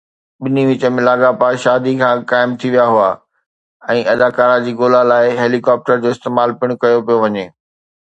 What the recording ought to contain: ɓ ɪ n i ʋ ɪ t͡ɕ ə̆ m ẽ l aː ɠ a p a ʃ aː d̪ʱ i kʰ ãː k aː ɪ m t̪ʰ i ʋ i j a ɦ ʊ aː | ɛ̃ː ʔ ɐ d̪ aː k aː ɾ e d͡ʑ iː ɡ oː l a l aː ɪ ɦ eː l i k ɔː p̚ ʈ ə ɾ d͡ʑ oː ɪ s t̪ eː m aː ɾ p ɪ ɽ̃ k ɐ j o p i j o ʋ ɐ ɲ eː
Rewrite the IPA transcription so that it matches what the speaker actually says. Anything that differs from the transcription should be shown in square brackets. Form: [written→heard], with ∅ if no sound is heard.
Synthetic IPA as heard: ɓ ɪ n i ʋ ɪ t͡ɕ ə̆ m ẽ l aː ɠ a p a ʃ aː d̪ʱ i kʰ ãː k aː ɪ m t̪ʰ i ʋ i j a ɦ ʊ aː | ɛ̃ː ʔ ɐ d̪ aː k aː ɾ [e→a] d͡ʑ iː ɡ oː l a l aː ɪ ɦ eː l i k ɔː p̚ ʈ ə ɾ d͡ʑ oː ɪ s t̪ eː m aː [ɾ→l] p ɪ ɽ̃ k ɐ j o p i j o ʋ ɐ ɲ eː

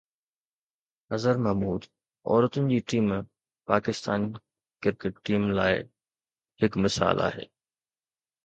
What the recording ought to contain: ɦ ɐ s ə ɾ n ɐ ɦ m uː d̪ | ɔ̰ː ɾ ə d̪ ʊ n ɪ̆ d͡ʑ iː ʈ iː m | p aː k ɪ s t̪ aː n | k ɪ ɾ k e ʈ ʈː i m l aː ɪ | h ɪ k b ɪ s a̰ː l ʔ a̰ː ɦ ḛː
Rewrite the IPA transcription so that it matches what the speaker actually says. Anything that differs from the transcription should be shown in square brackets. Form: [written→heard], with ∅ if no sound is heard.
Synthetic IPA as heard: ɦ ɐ [s→z] ə ɾ [n→m] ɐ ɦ m uː d̪ | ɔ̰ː ɾ ə [d̪→t̪] ʊ n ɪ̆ d͡ʑ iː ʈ iː m | p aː k ɪ s t̪ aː n | k ɪ ɾ k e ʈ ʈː [i→iː] m l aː ɪ | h ɪ k [b→m] ɪ s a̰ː l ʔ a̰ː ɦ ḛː

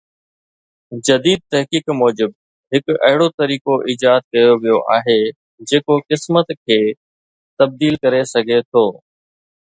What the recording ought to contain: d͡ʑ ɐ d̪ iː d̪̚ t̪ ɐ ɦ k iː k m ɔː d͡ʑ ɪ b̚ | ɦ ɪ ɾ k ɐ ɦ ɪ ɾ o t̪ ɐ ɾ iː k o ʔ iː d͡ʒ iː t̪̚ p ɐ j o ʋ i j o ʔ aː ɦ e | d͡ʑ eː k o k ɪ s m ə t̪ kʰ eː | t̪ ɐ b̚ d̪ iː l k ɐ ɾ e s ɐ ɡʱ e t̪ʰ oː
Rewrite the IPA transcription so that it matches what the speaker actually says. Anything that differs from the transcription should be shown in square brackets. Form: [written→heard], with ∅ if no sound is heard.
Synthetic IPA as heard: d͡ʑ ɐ d̪ iː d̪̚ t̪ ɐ ɦ k iː k m ɔː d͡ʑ ɪ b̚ | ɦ ɪ [ɾ→∅] k ɐ ɦ ɪ [ɾ→ɽ] o t̪ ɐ ɾ iː k o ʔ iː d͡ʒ [iː→aː] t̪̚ [p→k] ɐ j o ʋ i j o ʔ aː ɦ e | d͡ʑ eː k o k ɪ s m ə t̪ kʰ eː | t̪ ɐ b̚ d̪ iː l k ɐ ɾ e s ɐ ɡʱ e t̪ʰ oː

